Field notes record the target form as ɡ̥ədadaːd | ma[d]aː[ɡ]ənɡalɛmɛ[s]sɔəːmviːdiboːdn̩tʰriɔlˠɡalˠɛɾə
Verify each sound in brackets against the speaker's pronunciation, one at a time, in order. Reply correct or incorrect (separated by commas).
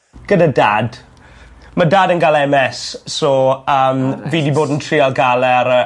correct, incorrect, correct